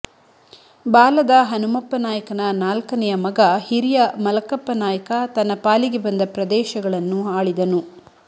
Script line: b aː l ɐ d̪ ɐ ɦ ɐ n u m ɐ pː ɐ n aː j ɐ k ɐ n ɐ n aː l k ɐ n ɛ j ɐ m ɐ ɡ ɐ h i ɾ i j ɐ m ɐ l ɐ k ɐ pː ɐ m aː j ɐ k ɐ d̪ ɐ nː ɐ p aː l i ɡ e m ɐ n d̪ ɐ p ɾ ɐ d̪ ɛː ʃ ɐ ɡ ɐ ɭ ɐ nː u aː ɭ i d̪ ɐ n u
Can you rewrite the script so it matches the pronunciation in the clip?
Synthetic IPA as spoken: b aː l ɐ d̪ ɐ ɦ ɐ n u m ɐ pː ɐ n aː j ɐ k ɐ n ɐ n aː l k ɐ n ɛ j ɐ m ɐ ɡ ɐ h i ɾ i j ɐ m ɐ l ɐ k ɐ pː ɐ n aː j ɐ k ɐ t̪ ɐ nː ɐ p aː l i ɡ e b ɐ n d̪ ɐ p ɾ ɐ d̪ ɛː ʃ ɐ ɡ ɐ ɭ ɐ nː u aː ɭ i d̪ ɐ n u